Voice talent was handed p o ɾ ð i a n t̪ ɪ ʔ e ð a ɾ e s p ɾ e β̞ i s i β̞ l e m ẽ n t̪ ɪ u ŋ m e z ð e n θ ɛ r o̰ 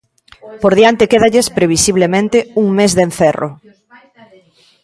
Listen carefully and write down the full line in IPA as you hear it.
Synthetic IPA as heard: p o ɾ ð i a n t̪ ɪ k e ð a ʎ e s p ɾ e β̞ i s i β̞ l e m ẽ n t̪ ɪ u ŋ m e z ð e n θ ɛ r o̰